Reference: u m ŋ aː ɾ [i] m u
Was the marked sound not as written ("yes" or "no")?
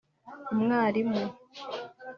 no